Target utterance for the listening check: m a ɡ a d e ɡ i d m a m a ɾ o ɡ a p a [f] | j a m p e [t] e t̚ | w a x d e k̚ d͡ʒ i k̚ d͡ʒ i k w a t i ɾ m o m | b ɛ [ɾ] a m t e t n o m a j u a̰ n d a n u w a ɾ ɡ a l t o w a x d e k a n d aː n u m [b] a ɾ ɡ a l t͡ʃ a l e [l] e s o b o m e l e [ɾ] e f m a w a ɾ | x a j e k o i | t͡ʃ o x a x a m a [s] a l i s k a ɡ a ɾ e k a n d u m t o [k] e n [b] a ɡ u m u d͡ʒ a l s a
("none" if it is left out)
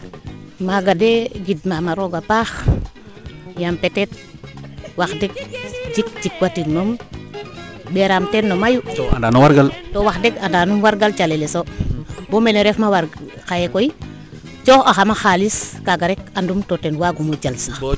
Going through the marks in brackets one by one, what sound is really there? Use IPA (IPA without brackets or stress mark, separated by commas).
x, t, ɾ, w, l, ɾ, x, t, w